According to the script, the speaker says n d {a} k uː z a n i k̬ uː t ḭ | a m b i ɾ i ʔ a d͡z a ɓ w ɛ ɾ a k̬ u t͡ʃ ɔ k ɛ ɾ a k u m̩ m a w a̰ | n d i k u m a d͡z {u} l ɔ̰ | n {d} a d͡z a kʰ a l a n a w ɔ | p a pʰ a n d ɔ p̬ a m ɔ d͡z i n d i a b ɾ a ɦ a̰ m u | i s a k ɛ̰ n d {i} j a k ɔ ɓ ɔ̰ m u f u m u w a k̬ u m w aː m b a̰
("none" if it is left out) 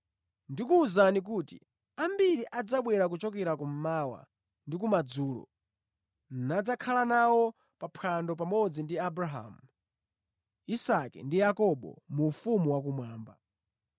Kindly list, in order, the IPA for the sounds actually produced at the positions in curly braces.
i, uː, n, i

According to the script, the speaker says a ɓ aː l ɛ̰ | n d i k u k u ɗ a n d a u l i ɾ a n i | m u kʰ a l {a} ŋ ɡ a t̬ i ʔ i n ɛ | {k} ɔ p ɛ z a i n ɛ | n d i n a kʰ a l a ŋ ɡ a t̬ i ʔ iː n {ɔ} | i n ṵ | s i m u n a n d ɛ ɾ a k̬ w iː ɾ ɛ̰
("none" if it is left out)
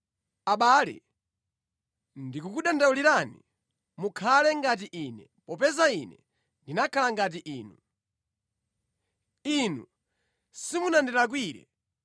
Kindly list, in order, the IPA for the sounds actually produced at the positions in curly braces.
ɛ, p, u

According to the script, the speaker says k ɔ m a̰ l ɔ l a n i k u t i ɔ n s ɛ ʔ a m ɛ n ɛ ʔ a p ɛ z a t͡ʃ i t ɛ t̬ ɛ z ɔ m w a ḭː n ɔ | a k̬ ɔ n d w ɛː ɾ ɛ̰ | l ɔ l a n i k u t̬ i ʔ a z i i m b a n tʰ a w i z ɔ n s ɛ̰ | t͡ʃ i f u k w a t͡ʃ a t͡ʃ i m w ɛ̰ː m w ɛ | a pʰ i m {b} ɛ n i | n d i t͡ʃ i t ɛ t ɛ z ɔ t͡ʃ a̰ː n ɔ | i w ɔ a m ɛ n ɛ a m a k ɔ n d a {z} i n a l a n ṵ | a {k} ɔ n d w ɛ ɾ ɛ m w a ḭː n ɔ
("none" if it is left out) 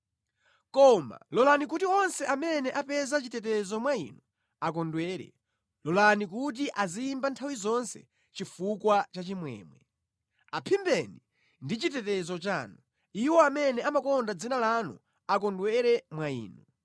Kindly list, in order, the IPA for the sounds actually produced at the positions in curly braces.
b, d͡z, k

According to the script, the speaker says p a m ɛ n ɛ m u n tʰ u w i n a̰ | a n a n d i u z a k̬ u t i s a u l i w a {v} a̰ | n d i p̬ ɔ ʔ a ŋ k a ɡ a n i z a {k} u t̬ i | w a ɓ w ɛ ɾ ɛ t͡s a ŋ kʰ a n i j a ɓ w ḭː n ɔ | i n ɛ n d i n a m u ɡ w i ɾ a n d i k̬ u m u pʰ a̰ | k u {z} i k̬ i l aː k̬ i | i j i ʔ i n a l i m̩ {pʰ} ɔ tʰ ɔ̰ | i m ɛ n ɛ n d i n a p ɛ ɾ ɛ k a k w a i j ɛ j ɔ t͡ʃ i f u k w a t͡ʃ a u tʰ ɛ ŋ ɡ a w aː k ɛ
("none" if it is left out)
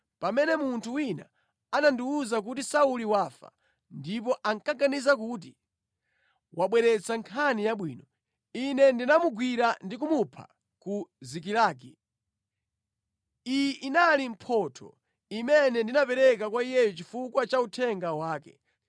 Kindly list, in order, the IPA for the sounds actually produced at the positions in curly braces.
f, k, z, pʰ

